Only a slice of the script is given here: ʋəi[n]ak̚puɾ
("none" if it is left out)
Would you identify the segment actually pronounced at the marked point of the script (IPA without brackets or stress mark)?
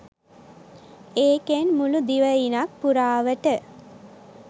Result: n